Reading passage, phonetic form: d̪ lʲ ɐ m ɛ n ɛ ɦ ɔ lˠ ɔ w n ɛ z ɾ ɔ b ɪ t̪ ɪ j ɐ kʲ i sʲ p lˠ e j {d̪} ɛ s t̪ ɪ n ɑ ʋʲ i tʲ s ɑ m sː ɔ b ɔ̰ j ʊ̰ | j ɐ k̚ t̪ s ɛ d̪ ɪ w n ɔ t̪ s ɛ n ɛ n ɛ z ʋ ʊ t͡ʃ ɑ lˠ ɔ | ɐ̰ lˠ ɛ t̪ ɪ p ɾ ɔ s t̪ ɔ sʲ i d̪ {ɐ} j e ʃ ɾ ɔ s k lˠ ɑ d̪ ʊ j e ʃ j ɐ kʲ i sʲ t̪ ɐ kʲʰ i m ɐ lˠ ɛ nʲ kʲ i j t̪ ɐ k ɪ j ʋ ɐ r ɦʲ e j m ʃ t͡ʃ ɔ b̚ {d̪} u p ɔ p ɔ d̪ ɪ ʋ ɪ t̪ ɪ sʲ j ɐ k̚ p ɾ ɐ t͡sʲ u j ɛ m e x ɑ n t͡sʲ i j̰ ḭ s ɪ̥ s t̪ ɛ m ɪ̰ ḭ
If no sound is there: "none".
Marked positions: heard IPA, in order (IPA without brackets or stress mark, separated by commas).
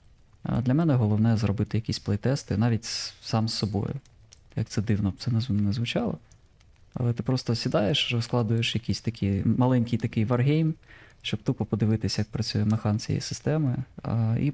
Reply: t̪, ɑ, t̪